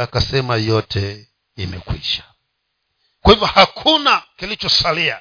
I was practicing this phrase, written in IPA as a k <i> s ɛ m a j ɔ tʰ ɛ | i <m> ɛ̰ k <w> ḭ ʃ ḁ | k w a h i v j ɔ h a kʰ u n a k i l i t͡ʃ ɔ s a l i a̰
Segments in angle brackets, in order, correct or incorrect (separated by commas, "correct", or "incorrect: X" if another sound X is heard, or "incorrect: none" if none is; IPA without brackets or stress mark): incorrect: a, correct, correct